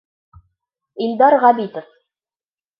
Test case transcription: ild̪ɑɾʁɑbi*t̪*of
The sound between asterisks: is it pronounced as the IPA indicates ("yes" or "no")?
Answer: yes